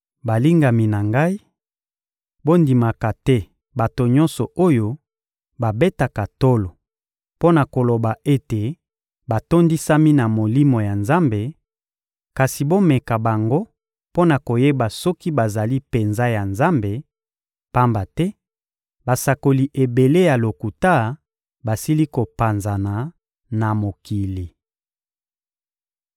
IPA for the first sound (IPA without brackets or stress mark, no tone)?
b